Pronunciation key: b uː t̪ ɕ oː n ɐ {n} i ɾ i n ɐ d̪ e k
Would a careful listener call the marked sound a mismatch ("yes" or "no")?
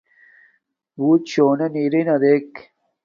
no